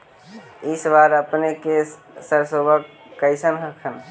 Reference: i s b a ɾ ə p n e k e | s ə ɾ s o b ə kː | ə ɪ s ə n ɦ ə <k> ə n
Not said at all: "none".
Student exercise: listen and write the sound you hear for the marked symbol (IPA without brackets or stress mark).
kʰ